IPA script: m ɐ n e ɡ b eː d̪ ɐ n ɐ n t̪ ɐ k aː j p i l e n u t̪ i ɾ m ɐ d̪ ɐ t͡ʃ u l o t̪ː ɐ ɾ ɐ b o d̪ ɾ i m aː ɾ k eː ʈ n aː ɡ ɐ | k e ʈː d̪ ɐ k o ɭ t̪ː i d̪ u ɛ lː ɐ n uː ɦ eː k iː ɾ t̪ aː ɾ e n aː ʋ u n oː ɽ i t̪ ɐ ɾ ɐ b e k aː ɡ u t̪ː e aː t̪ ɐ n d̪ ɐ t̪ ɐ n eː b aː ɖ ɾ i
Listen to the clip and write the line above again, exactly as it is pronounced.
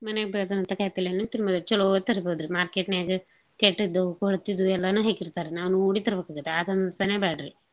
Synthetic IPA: m ɐ n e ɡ b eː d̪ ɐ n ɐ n t̪ ɐ k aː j p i l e n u t̪ i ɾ m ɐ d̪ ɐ t͡ʃ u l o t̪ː ɐ ɾ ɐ b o d̪ ɾ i m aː ɾ k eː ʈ n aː ɡ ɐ | k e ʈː d̪ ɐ k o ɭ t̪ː i d̪ u ɛ lː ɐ n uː ɦ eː k i ɾ t̪ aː ɾ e n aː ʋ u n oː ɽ i t̪ ɐ ɾ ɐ b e k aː ɡ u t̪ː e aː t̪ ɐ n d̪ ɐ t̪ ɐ n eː b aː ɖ ɾ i